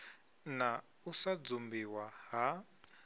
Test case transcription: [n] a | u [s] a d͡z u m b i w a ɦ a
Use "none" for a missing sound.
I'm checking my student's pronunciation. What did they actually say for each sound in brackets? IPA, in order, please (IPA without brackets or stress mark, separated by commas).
n, s